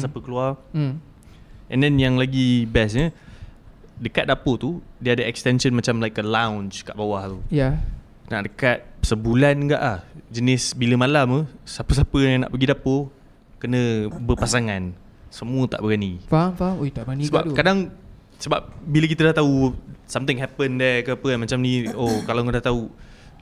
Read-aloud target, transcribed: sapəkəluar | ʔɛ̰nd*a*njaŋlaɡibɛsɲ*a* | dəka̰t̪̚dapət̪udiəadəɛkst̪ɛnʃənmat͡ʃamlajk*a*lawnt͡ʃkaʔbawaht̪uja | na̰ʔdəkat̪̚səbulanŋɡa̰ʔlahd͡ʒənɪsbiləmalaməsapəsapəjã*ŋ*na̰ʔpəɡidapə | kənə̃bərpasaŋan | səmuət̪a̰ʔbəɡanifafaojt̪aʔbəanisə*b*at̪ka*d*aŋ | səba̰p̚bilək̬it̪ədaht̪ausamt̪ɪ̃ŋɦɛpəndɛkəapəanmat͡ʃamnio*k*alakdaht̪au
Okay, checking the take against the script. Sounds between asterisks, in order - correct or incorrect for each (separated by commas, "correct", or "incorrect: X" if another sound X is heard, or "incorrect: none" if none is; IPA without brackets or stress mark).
incorrect: ɛ, incorrect: ə, incorrect: ə, correct, correct, correct, correct